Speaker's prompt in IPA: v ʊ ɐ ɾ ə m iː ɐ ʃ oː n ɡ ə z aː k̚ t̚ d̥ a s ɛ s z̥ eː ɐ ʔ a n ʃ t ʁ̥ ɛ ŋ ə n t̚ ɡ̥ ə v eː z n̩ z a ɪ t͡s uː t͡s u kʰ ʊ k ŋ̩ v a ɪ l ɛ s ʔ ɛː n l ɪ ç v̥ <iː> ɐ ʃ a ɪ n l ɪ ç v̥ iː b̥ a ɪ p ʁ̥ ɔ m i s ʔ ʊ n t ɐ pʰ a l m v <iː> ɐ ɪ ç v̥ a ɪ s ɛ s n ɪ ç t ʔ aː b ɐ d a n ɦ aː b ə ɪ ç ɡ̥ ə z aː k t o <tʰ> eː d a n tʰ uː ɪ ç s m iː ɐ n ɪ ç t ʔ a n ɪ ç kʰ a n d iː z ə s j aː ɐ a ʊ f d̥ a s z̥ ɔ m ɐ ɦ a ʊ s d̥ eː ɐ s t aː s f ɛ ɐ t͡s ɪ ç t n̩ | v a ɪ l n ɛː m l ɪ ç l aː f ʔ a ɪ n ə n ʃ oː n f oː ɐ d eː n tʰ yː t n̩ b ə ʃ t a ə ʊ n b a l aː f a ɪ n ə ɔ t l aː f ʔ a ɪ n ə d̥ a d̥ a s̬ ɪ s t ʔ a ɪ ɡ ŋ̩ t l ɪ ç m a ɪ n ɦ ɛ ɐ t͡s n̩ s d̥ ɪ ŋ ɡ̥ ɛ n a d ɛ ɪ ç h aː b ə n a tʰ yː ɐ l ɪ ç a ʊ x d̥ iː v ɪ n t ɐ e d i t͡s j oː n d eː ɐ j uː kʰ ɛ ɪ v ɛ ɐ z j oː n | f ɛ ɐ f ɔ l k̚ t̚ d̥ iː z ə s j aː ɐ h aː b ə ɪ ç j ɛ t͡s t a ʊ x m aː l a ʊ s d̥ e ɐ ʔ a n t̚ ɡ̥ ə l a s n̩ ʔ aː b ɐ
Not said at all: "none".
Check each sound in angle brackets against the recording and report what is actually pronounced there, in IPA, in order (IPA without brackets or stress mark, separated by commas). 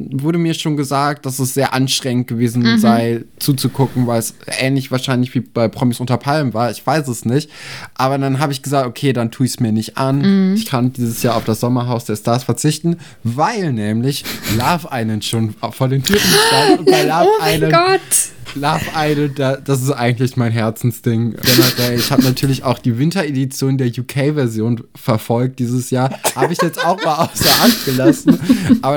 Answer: aː, aː, kʰ